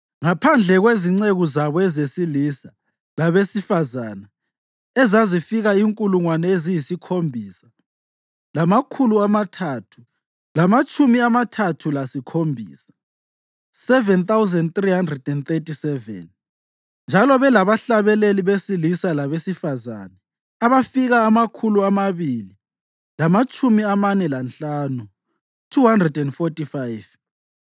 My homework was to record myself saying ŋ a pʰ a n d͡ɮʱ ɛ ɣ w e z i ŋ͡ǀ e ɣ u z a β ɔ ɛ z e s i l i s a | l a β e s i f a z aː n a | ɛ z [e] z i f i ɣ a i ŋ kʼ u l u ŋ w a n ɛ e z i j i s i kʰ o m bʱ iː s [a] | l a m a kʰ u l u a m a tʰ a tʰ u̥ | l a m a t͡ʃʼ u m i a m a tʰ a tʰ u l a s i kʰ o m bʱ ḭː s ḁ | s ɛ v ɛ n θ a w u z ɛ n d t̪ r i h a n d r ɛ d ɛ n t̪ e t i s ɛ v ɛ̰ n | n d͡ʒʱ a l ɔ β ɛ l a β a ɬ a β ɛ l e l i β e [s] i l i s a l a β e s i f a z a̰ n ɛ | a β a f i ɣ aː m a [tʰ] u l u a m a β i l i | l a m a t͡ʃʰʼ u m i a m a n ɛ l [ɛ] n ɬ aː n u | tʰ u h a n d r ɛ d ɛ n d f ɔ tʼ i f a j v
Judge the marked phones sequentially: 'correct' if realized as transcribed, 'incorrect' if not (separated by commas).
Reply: incorrect, correct, correct, incorrect, incorrect